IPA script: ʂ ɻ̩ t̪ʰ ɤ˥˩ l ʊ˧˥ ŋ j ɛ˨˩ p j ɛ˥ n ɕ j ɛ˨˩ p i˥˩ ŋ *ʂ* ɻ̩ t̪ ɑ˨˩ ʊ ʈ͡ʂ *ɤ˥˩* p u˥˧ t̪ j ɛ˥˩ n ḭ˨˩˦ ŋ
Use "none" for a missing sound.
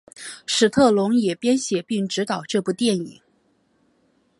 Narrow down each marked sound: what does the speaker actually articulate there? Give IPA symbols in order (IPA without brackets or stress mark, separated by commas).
ʈ͡ʂ, ɤ˥˧